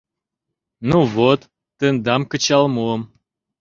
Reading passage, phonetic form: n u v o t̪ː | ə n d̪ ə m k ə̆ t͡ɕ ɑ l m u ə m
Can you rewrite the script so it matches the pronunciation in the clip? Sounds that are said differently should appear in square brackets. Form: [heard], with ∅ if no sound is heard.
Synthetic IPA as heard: n u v o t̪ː | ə n d̪ [ɑ] m k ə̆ t͡ɕ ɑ l m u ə m